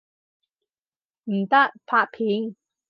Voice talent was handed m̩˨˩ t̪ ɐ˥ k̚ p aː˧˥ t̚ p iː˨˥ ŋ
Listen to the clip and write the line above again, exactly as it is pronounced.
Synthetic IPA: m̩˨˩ t̪ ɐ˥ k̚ pʰ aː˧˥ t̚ pʰ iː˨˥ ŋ